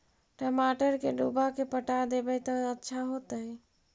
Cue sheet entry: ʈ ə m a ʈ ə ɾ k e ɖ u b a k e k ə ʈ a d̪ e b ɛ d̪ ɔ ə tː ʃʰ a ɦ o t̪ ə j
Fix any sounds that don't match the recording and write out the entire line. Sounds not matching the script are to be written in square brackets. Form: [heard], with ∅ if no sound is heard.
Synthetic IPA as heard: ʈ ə m a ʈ ə ɾ k e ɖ u b a k e [p] ə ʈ a d̪ e b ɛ [t̪] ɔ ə tː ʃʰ a ɦ o t̪ ə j